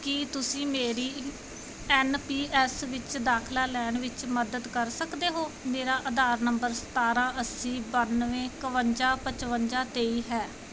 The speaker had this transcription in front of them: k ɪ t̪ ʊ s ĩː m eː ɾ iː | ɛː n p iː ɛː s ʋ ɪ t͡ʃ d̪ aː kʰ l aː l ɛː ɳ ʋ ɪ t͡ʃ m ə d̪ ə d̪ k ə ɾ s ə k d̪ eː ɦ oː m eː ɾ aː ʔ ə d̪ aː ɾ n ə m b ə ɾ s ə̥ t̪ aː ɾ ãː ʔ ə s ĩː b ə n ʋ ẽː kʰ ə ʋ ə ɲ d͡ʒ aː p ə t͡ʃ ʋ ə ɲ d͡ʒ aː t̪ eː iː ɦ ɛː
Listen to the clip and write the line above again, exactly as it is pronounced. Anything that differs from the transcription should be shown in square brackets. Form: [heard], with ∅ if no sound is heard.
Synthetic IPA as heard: k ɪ t̪ ʊ s ĩː m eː ɾ iː | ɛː n p iː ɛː s ʋ ɪ t͡ʃ d̪ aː kʰ l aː l ɛː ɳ ʋ ɪ t͡ʃ m ə d̪ ə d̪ k ə ɾ s ə k d̪ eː ɦ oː m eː ɾ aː ʔ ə d̪ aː ɾ n ə m b ə ɾ s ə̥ t̪ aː ɾ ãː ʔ ə s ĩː b ə n ʋ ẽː [k] ə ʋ ə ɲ d͡ʒ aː p ə t͡ʃ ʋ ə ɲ d͡ʒ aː t̪ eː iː ɦ ɛː